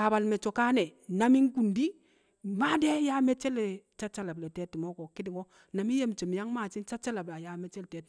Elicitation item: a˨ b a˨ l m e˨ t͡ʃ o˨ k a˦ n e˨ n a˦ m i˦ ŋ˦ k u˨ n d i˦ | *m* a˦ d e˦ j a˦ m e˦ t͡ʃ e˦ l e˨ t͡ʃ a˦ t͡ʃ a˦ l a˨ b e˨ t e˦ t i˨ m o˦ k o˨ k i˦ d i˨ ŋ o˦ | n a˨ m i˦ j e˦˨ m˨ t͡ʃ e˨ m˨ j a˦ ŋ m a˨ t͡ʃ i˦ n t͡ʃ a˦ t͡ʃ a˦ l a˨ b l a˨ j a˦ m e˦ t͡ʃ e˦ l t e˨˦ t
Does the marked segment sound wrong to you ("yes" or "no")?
no